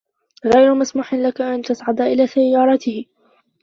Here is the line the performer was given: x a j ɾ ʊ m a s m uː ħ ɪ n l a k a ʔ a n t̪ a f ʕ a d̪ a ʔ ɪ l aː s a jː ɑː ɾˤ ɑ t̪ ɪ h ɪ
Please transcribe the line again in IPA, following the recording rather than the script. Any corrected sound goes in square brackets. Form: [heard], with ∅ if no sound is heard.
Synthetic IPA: [ɣ] a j ɾ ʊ m a s m uː ħ ɪ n l a k a ʔ a n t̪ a [s] ʕ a d̪ a ʔ ɪ l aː s a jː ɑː ɾˤ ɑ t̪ ɪ h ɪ